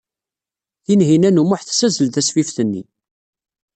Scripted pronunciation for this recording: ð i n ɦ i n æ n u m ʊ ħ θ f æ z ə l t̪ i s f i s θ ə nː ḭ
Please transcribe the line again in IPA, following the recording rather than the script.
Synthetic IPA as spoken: θ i n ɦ i n æ n u m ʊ ħ θ s æ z ə l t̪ æ s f i f θ ə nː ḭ